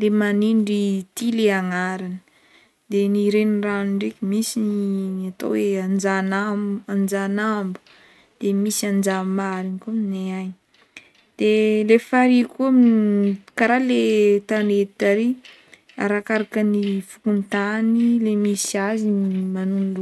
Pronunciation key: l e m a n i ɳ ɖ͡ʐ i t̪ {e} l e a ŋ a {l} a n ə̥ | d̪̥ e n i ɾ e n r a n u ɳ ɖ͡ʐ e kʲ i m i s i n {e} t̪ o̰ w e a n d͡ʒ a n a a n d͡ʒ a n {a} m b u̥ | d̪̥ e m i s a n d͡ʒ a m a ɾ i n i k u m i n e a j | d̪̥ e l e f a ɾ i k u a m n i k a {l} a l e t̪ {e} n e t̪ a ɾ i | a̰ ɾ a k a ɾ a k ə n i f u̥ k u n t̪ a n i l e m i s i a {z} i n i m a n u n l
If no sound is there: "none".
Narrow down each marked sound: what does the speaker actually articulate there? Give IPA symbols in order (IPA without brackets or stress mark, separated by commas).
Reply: i, ɾ, a, a, ɾ, a, z